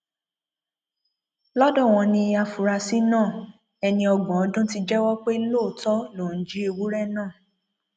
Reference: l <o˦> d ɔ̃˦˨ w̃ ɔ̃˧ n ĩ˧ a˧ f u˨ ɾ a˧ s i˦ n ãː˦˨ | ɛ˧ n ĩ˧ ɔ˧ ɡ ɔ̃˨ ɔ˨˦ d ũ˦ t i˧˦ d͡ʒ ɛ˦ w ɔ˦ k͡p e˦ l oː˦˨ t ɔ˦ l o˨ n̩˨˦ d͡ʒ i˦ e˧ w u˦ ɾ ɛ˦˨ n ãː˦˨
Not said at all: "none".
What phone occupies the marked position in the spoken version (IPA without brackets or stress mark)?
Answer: ɔ˦